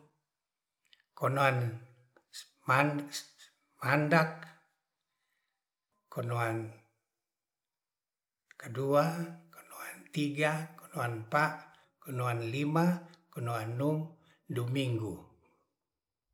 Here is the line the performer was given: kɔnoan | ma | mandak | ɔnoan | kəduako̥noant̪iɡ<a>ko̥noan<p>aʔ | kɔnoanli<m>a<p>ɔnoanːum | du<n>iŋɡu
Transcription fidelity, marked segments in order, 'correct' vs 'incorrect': correct, correct, correct, incorrect: k, incorrect: m

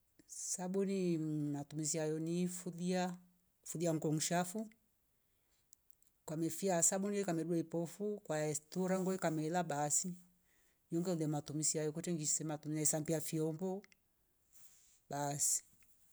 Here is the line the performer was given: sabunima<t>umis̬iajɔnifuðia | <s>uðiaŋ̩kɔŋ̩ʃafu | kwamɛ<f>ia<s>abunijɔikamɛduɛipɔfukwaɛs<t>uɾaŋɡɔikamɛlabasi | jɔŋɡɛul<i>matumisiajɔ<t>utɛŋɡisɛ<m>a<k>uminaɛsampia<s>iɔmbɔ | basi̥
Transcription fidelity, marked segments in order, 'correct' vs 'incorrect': correct, incorrect: f, correct, correct, correct, incorrect: ɛ, incorrect: k, correct, incorrect: t, incorrect: f

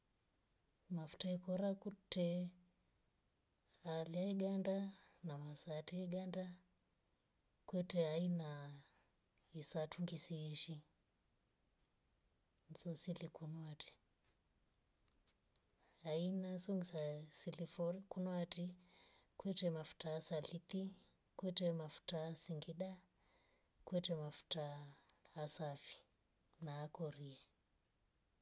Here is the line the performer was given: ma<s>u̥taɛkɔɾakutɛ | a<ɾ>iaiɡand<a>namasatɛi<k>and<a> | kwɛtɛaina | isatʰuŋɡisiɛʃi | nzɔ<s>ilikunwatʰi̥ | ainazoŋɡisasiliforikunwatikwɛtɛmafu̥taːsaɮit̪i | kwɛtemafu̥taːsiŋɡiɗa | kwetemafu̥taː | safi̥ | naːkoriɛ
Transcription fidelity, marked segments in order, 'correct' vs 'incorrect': incorrect: f, incorrect: l, correct, incorrect: ɡ, correct, correct

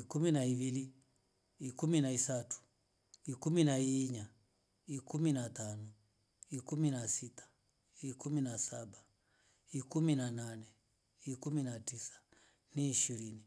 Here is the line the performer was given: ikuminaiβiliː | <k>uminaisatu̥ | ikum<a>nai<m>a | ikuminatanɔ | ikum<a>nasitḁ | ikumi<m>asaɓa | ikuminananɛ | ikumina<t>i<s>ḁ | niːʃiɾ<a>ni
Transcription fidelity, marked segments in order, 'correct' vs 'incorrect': correct, incorrect: i, incorrect: ɲ, incorrect: i, incorrect: n, correct, correct, incorrect: i

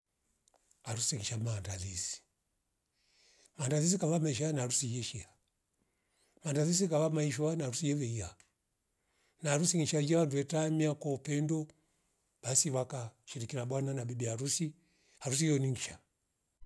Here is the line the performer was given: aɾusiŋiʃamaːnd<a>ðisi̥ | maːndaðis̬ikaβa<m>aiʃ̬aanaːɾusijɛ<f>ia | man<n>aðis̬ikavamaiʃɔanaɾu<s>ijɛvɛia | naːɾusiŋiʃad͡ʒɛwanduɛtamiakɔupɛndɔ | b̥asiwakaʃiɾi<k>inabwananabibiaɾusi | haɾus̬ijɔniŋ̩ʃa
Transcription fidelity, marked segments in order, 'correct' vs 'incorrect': correct, correct, incorrect: ʃ, incorrect: d, correct, correct

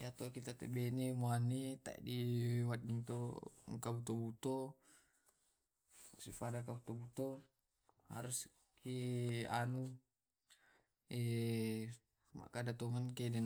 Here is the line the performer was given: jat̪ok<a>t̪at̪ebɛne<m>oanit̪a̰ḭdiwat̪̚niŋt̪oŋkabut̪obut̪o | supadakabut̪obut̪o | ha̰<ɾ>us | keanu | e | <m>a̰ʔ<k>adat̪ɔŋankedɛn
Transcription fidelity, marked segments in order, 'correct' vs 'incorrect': incorrect: i, correct, correct, correct, correct

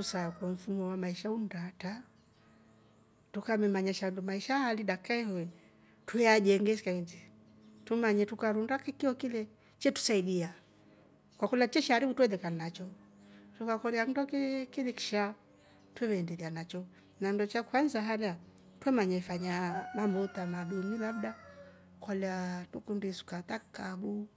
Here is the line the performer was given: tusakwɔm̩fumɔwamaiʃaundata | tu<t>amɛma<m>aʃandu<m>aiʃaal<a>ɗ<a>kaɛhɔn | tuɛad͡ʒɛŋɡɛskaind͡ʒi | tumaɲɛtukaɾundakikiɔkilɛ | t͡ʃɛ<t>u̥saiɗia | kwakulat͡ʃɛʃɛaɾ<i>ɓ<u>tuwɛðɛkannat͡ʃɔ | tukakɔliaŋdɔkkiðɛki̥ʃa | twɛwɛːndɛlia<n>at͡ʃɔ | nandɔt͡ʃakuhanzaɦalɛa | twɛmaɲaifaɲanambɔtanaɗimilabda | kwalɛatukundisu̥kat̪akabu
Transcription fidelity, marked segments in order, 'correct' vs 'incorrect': incorrect: k, incorrect: ɲ, correct, incorrect: i, correct, correct, correct, correct, correct

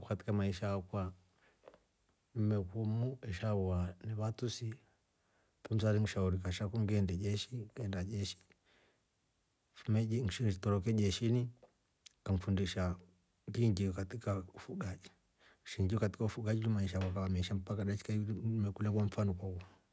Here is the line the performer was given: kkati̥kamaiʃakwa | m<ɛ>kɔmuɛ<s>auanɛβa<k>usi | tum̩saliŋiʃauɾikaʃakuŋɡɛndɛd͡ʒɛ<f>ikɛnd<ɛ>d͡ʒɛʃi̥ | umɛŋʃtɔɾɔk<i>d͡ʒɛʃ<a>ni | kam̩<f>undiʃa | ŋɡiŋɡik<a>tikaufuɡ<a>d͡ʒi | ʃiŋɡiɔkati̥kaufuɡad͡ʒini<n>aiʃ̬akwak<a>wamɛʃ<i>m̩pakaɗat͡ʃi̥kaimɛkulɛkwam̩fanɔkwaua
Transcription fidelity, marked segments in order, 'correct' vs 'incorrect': correct, incorrect: ʃ, incorrect: t, incorrect: ʃ, incorrect: a, incorrect: ɛ, incorrect: i, correct, correct, correct, incorrect: m, correct, incorrect: a

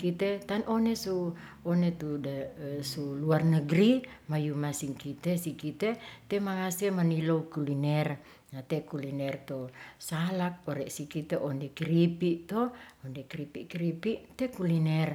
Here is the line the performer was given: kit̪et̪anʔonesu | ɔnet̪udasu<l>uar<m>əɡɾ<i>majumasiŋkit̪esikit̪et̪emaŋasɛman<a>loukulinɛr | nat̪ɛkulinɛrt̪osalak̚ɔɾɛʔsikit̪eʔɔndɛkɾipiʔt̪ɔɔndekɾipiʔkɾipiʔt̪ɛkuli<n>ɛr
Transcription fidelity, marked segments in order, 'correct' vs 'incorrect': correct, incorrect: n, correct, incorrect: i, correct

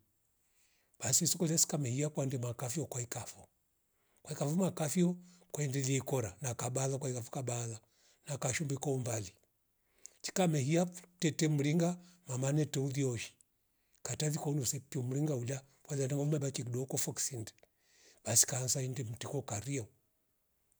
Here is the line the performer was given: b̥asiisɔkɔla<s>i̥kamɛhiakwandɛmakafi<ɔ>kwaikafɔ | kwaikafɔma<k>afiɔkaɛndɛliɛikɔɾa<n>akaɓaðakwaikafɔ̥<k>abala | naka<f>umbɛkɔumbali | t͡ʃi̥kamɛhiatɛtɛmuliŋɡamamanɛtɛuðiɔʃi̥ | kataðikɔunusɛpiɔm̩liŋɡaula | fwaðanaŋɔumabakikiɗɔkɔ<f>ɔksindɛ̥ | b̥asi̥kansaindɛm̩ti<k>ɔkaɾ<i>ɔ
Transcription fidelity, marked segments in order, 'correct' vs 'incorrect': correct, correct, correct, correct, correct, incorrect: ʃ, correct, correct, correct

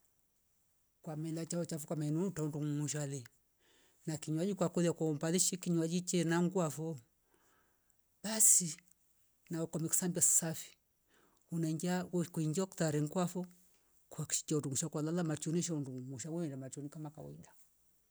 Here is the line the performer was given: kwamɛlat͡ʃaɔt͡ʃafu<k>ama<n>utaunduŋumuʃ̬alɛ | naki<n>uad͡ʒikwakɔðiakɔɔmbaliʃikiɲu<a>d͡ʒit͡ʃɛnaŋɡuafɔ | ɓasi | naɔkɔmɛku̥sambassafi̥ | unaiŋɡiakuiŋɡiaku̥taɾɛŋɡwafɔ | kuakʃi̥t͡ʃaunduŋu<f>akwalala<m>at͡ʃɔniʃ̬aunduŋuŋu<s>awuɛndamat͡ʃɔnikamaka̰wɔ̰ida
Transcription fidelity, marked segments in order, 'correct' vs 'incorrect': correct, correct, incorrect: ɲ, correct, incorrect: ʃ, correct, incorrect: ʃ

